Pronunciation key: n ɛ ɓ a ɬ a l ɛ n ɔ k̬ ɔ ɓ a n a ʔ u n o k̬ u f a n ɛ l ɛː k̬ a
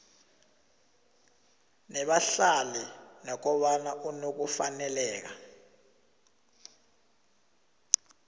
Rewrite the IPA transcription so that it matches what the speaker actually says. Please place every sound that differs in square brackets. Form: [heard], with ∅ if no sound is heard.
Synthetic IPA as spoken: n ɛ ɓ a ɬ a l ɛ n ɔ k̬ ɔ ɓ a n a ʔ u n o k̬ u f a n ɛ l ɛː k̬ a